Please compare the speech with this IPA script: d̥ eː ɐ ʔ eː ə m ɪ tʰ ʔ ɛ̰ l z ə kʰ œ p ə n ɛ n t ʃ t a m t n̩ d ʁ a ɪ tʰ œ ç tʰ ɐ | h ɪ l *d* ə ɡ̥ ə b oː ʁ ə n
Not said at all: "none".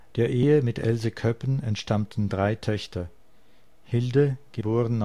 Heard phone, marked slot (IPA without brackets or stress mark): d